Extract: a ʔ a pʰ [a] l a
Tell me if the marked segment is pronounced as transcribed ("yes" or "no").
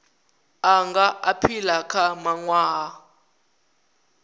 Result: no